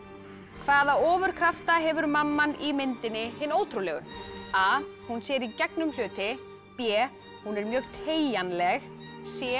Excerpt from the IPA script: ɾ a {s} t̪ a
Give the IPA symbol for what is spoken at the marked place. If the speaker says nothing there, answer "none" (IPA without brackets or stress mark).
f